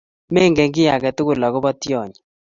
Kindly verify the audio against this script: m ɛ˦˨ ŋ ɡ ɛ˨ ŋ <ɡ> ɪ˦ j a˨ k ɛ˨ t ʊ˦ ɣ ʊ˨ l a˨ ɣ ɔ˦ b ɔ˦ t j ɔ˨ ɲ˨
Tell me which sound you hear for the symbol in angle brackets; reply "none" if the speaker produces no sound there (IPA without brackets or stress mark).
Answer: ɡ